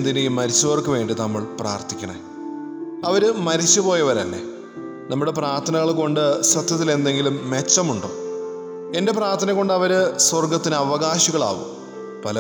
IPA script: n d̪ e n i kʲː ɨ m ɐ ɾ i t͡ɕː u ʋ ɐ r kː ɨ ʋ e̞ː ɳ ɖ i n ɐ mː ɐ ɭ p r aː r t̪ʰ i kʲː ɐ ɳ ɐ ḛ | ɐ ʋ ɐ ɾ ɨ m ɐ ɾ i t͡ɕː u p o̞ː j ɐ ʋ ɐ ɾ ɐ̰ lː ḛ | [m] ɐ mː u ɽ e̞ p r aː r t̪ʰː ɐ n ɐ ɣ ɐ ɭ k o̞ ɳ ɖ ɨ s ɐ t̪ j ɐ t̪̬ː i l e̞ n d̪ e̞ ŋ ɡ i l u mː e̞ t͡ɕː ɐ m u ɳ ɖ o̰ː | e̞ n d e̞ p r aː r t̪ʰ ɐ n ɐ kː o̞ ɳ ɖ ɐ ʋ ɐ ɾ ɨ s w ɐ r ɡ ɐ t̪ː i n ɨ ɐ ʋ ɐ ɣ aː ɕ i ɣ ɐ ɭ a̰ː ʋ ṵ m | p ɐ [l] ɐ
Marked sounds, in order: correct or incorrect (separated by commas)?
incorrect, correct